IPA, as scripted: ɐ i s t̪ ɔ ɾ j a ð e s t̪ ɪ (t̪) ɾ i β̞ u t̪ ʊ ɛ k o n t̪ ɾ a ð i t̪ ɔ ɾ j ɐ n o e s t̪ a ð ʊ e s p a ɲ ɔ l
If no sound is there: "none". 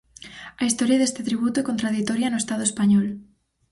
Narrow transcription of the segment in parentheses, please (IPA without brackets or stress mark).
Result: t̪